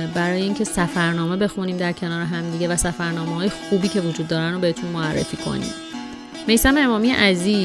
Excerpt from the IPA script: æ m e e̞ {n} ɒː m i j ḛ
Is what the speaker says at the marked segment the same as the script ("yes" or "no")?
no